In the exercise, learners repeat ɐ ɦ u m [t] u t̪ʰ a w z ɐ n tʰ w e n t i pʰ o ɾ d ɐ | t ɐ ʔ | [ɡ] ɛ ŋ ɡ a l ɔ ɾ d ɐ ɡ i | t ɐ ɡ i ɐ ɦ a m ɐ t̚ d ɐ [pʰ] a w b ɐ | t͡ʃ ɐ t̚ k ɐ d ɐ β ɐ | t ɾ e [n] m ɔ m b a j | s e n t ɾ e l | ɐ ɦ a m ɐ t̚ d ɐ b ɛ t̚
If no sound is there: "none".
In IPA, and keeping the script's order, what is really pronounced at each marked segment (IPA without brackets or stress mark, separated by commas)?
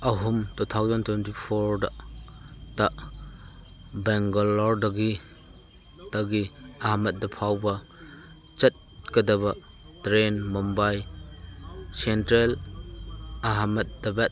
t, b, pʰ, n